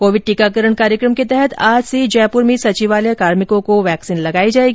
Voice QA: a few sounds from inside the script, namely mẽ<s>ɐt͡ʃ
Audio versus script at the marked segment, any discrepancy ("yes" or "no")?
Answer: no